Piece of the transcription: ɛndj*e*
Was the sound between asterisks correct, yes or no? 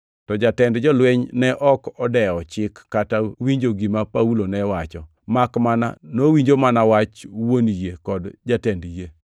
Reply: yes